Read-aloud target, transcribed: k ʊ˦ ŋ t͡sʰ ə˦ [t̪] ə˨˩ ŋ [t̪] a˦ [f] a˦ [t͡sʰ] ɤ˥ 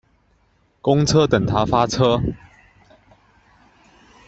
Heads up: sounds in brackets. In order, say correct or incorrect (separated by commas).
correct, incorrect, correct, correct